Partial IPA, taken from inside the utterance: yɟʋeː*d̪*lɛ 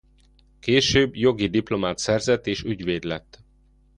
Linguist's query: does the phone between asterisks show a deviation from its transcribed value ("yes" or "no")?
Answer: no